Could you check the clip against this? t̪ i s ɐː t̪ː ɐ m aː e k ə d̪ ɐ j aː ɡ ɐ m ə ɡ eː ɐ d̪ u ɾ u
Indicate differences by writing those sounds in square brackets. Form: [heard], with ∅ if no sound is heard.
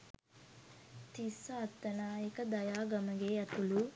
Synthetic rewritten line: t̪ i s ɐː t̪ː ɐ [n] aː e k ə d̪ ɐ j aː ɡ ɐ m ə ɡ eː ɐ [t̪] u [l] u